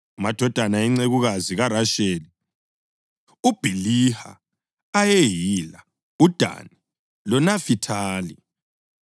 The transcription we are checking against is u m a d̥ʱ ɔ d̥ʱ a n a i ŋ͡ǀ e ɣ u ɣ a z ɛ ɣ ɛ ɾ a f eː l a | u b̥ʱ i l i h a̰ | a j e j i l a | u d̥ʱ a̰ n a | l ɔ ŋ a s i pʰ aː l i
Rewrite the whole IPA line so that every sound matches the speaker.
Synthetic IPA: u m a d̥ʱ ɔ d̥ʱ a n a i ŋ͡ǀ e ɣ u ɣ a z i ɣ a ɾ a ʃ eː l i | u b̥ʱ i l i h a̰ | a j e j i l a | u d̥ʱ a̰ n i | l ɔ n a f i tʰ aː l i